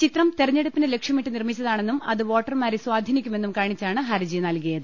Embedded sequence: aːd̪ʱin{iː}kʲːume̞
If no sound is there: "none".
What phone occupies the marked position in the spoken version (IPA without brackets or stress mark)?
i